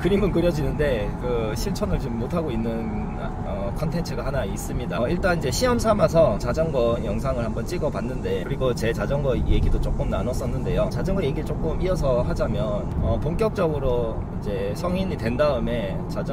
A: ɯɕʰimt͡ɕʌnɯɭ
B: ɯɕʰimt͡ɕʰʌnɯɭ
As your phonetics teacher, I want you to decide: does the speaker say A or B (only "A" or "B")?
B